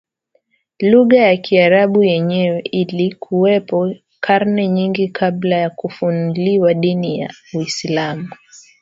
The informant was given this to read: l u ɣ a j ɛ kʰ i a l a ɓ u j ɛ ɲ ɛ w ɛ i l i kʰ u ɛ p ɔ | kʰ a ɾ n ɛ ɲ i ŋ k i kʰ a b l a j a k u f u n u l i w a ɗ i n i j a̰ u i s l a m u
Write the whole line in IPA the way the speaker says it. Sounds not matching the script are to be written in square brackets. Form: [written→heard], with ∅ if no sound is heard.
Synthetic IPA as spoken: l u ɣ a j [ɛ→a] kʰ i a [l→ɾ] a ɓ u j ɛ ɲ ɛ w ɛ i l i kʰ u ɛ p ɔ | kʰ a ɾ n ɛ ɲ i ŋ [k→ɡ] i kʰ a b l a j a k u f u n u l i w a ɗ i n i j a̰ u i s l a m u